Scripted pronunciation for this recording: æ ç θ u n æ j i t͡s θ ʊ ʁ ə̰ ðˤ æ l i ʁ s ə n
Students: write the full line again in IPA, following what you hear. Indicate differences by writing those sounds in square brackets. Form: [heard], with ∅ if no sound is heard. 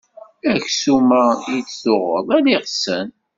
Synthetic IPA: æ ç [s] u [m] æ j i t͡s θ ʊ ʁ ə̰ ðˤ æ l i ʁ s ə n